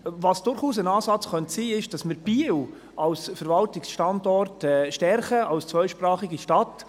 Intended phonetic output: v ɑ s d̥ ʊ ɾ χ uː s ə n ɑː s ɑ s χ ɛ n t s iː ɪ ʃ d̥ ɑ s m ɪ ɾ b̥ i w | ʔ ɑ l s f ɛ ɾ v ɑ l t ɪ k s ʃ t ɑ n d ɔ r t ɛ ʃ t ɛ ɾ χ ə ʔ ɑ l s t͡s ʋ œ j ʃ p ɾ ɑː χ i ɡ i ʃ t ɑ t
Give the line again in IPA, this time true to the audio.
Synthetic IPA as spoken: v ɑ s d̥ ʊ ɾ χ uː s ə n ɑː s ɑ t͡s χ œ n t s iː ɪ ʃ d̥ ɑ s m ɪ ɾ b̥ i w | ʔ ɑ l s f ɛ ɾ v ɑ l t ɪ k s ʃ t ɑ n d ɔ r t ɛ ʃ t ɛ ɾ χ ə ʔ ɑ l s t͡s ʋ œ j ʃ p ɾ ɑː χ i ɡ i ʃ t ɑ t